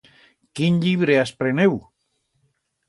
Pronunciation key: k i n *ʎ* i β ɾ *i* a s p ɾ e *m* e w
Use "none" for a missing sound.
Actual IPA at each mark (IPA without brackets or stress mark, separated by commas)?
ʎ, e, n